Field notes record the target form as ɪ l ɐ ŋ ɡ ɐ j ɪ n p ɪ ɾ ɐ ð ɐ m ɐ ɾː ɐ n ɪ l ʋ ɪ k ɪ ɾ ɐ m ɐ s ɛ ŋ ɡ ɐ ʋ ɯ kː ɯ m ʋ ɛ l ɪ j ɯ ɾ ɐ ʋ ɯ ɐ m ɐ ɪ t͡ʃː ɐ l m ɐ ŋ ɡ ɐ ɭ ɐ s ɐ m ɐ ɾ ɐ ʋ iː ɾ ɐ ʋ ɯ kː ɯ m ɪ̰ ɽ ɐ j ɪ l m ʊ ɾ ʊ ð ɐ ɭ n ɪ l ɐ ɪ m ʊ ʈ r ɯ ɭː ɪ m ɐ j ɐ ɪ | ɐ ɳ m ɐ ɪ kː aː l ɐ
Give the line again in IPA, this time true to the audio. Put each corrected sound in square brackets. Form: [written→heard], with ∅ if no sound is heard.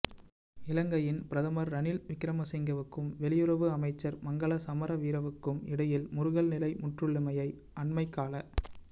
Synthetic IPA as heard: ɪ l ɐ ŋ ɡ ɐ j ɪ n p ɪ ɾ ɐ ð ɐ m ɐ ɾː ɐ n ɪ l ʋ ɪ k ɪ ɾ ɐ m ɐ s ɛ ŋ ɡ ɐ ʋ ɯ kː ɯ m ʋ ɛ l ɪ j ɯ ɾ ɐ ʋ ɯ ɐ m ɐ ɪ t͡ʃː ɐ [l→ɾ] m ɐ ŋ ɡ ɐ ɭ ɐ s ɐ m ɐ ɾ ɐ ʋ iː ɾ ɐ ʋ ɯ kː ɯ m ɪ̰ ɽ ɐ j ɪ l m ʊ ɾ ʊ [ð→ɣ] ɐ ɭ n ɪ l ɐ ɪ m ʊ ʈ r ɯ ɭː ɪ m ɐ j ɐ ɪ | ɐ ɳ m ɐ ɪ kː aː l ɐ

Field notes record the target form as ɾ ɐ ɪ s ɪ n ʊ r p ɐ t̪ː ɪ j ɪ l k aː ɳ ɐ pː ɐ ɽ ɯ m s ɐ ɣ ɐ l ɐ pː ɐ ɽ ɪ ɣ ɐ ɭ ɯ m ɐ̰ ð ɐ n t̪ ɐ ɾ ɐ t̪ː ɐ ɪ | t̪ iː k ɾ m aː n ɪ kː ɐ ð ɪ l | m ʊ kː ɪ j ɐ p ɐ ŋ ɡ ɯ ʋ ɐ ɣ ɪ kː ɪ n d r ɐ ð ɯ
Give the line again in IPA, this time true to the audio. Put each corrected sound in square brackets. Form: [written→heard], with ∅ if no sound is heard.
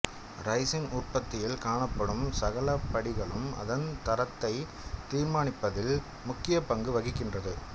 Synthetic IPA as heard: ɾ ɐ ɪ s ɪ n ʊ r p ɐ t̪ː ɪ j ɪ l k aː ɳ ɐ pː ɐ ɽ ɯ m s ɐ ɣ ɐ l ɐ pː ɐ ɽ ɪ ɣ ɐ ɭ ɯ m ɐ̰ ð ɐ n t̪ ɐ ɾ ɐ t̪ː ɐ ɪ | t̪ iː [k→∅] ɾ m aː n ɪ [kː→pː] ɐ ð ɪ l | m ʊ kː ɪ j ɐ p ɐ ŋ ɡ ɯ ʋ ɐ ɣ ɪ kː ɪ n d r ɐ ð ɯ

